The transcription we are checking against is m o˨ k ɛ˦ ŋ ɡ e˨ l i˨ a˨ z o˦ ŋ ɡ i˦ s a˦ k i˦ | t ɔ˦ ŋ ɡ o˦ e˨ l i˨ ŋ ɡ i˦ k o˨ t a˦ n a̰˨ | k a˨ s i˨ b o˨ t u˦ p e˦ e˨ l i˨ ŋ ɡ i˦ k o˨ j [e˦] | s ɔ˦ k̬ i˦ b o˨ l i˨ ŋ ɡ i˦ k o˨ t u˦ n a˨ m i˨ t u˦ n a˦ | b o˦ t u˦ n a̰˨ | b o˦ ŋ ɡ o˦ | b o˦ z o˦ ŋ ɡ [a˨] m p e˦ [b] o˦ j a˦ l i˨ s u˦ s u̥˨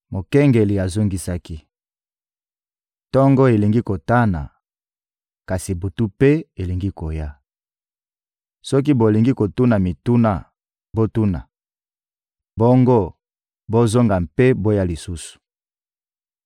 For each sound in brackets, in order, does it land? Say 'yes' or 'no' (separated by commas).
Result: no, yes, yes